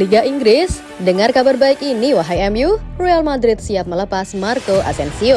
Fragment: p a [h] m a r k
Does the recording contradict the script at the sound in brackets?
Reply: yes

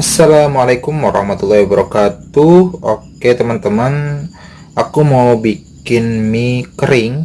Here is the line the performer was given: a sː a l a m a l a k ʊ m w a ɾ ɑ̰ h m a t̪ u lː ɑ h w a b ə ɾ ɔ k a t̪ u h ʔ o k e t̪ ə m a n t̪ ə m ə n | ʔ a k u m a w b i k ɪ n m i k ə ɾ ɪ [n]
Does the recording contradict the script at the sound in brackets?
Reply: yes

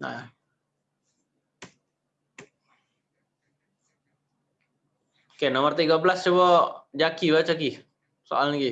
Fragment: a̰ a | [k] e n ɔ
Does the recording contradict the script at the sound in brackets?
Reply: no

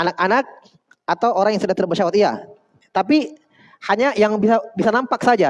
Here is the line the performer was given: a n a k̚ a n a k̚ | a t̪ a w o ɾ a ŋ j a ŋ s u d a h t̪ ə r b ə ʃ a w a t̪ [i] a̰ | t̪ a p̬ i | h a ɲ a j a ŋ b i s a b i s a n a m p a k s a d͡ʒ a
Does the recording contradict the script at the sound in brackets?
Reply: no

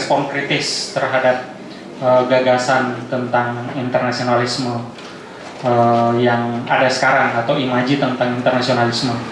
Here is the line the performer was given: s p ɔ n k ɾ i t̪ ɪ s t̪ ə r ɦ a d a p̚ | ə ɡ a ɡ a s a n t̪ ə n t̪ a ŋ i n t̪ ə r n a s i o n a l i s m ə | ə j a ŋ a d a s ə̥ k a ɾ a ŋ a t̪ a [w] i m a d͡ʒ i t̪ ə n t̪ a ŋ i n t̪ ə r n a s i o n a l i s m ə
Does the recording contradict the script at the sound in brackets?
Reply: no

